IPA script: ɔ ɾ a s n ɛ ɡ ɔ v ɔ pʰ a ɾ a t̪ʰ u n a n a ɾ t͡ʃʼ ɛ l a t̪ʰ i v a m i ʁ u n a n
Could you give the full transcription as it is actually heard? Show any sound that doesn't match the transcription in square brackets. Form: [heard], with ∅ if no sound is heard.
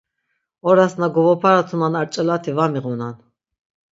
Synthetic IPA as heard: ɔ ɾ a s n [a] ɡ ɔ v ɔ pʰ a ɾ a t̪ʰ u n a n a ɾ t͡ʃʼ ɛ l a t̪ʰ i v a m i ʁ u n a n